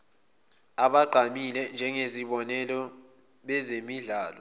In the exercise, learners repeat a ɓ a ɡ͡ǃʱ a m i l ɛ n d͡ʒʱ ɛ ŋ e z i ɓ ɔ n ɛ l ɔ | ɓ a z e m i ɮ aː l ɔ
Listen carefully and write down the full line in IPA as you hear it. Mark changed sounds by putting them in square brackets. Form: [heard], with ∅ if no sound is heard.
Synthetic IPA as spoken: a ɓ a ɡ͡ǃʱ a m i l ɛ n d͡ʒʱ ɛ ŋ e z i ɓ ɔ n ɛ l ɔ | ɓ [ɛ] z e m i ɮ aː l ɔ